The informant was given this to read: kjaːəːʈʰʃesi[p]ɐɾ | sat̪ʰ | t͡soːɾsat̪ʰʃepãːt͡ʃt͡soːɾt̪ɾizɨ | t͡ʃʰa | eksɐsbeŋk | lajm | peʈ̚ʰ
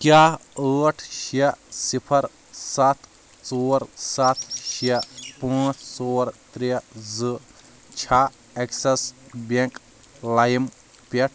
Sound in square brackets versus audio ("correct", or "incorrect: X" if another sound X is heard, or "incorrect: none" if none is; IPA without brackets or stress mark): incorrect: pʰ